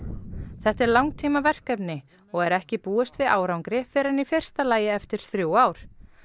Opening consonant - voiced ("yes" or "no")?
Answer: no